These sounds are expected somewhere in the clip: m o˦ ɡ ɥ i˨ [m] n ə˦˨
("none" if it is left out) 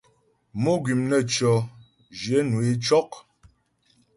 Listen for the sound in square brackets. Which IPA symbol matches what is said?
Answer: m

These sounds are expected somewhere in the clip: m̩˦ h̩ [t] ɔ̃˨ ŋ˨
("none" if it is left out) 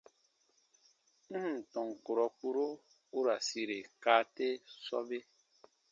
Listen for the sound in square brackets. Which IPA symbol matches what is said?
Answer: t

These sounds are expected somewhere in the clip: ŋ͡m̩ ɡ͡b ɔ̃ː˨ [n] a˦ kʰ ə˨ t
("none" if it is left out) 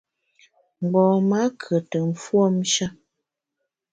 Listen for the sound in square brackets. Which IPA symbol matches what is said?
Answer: m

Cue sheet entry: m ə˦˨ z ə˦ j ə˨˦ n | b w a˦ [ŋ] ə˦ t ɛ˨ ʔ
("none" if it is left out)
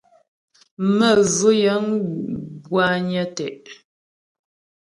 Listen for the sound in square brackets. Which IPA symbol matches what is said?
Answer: ɲ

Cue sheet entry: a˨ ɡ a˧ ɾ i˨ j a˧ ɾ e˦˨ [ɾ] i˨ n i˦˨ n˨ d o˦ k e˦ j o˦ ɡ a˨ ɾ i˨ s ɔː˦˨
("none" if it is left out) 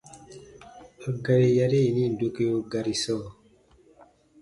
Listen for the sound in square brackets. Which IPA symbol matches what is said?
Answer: none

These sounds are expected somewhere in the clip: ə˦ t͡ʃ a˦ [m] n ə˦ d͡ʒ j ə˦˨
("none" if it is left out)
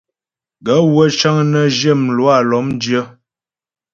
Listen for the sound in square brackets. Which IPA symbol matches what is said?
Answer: ŋ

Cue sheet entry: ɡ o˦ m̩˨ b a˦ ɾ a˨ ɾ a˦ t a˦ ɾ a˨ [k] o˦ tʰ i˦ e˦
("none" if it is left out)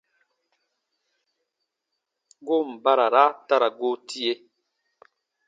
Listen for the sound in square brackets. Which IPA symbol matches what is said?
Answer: ɡ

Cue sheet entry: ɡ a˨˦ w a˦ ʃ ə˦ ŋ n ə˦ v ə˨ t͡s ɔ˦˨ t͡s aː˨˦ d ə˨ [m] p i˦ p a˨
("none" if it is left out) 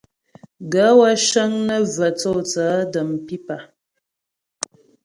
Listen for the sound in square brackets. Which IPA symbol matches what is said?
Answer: m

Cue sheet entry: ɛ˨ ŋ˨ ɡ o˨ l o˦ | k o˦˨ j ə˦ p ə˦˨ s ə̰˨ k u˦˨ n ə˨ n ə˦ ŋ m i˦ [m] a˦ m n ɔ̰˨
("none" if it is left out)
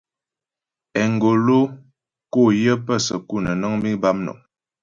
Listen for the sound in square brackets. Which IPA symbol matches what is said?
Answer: b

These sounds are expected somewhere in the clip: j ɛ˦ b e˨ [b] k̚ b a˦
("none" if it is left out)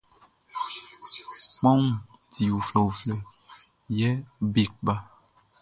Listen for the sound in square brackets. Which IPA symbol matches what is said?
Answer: none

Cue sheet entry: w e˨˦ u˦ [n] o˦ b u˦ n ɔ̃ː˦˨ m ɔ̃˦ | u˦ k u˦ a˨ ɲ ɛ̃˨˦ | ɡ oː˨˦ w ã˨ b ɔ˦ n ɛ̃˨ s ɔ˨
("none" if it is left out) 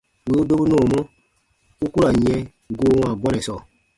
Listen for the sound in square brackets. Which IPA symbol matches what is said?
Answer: d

